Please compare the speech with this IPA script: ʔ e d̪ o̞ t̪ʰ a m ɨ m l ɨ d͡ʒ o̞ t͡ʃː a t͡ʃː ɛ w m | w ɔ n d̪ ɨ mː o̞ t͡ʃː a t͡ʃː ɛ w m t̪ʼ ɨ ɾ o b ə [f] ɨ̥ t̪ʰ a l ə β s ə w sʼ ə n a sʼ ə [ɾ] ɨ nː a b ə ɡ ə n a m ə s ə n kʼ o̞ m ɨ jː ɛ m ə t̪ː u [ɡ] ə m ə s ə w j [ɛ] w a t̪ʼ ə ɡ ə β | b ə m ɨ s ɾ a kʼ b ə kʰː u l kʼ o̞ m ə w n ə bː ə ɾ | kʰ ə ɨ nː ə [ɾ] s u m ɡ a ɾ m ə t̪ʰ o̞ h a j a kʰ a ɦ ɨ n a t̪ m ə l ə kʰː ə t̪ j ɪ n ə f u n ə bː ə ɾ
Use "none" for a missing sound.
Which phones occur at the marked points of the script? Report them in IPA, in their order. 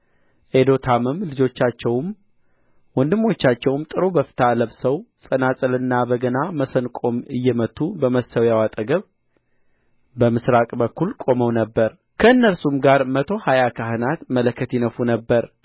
f, l, b, a, l

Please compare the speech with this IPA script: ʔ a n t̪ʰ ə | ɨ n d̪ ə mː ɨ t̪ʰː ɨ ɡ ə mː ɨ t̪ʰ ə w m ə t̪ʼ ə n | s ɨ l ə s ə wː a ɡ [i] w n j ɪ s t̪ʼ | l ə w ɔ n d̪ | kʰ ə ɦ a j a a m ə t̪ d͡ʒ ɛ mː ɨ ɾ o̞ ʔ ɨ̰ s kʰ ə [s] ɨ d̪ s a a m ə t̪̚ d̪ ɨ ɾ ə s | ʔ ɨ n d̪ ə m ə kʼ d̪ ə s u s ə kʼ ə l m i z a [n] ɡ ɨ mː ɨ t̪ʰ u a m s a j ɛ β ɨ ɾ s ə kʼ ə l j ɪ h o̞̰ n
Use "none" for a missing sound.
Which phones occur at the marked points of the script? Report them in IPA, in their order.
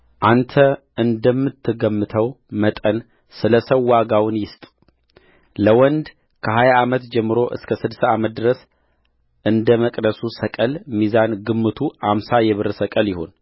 a, s, n

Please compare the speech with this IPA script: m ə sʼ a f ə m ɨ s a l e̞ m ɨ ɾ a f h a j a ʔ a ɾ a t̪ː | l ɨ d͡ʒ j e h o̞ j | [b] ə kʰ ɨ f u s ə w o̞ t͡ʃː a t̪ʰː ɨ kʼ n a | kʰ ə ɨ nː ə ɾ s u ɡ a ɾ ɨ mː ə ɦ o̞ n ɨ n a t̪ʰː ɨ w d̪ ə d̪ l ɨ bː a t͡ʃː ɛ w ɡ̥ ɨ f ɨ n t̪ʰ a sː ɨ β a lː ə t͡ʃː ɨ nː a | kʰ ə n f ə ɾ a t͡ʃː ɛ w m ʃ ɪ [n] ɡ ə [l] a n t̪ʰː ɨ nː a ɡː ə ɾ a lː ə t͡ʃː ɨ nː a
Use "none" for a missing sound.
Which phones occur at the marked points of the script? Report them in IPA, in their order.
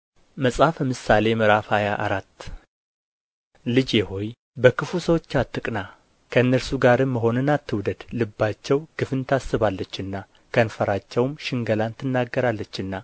b, ŋ, l

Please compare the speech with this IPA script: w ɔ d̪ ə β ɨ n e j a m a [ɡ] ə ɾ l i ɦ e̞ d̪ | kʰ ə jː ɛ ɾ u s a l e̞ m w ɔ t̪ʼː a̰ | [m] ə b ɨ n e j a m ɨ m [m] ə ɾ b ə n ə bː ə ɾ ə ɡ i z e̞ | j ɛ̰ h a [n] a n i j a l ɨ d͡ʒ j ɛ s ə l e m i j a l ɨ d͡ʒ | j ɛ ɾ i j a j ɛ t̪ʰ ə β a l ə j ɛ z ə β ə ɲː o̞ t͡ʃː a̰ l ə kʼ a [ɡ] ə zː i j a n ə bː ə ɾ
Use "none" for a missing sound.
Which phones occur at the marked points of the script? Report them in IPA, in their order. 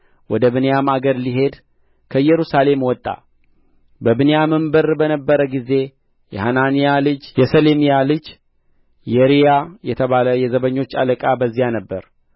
ɡ, b, b, n, b

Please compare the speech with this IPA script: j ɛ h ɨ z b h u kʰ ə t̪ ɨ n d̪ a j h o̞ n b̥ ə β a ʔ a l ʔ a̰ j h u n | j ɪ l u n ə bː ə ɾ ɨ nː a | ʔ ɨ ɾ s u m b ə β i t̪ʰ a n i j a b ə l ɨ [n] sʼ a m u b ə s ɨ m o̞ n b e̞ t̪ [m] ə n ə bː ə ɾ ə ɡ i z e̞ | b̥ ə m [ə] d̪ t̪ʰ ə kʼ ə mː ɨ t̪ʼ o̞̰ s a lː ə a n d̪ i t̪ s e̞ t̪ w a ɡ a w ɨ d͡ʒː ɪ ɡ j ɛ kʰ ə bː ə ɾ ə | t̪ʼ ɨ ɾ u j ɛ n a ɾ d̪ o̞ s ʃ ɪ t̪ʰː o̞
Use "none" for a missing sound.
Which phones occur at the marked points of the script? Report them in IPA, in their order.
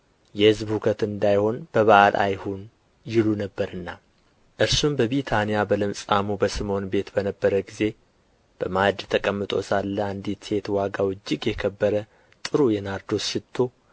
m, b, a

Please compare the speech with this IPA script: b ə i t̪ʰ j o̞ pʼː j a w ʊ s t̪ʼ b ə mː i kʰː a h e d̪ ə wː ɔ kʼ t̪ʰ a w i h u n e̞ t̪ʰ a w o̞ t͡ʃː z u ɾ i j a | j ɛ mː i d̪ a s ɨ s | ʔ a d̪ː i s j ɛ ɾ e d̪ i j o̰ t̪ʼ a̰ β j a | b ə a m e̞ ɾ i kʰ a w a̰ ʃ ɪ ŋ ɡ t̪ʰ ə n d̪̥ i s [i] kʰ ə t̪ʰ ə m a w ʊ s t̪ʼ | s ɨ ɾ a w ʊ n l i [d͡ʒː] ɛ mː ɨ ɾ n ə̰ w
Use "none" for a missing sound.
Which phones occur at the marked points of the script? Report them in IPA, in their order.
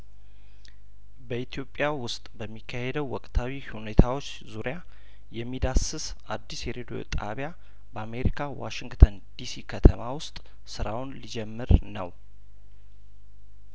i, d͡ʒ

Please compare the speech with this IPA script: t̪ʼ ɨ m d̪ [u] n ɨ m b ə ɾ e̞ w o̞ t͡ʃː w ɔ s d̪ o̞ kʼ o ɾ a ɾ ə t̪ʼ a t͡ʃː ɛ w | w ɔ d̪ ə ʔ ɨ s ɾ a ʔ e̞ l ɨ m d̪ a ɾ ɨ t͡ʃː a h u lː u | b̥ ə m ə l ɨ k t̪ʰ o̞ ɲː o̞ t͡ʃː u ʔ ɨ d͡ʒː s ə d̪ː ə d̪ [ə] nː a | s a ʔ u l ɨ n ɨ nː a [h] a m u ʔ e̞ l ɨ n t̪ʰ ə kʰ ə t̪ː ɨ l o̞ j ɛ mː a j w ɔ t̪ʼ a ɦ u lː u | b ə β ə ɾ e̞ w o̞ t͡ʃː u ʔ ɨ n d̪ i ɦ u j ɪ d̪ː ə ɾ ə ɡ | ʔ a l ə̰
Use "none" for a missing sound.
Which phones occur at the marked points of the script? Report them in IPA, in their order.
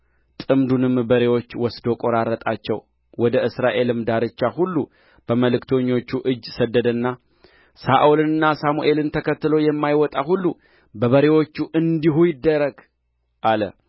u, ə, s

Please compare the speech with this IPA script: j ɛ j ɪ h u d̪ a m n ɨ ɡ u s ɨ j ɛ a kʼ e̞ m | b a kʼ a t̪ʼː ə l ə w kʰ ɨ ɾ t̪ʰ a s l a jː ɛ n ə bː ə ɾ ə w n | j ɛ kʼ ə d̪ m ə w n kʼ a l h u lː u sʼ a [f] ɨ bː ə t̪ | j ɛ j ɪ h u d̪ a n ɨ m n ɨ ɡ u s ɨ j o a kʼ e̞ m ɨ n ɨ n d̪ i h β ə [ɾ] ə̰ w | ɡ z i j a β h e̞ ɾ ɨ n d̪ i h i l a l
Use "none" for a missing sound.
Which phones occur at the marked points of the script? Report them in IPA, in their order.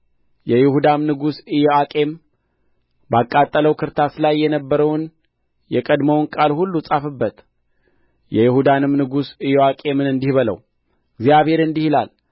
f, l

